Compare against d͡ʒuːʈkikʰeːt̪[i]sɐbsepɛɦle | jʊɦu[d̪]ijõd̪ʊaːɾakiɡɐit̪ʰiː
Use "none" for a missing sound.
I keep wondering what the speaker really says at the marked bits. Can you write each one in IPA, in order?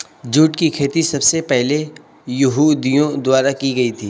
i, d̪

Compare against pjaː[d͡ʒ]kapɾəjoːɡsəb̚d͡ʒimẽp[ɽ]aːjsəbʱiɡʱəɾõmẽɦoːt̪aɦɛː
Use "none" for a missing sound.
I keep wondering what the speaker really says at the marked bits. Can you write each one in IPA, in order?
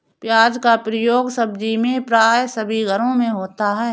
d͡ʒ, ɾ

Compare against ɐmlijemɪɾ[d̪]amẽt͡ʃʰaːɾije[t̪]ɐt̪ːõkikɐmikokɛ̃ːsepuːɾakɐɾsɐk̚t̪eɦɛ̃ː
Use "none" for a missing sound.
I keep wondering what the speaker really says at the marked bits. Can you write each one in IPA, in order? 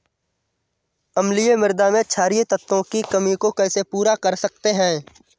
d̪, t̪

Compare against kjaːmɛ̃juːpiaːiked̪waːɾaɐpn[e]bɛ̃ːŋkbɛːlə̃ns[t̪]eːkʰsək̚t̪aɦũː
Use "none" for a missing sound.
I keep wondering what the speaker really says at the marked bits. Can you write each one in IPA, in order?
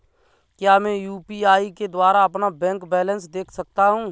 a, d̪

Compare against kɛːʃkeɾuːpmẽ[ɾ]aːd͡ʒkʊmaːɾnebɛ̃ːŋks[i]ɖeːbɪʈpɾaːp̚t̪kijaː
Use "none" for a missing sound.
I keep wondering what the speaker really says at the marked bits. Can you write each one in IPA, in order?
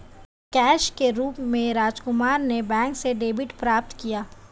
ɾ, e

